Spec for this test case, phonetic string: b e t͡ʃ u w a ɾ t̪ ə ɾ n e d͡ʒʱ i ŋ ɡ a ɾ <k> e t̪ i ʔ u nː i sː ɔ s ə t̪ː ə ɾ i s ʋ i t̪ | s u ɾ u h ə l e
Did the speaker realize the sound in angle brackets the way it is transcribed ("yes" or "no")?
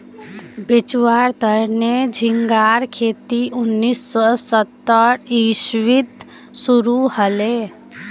no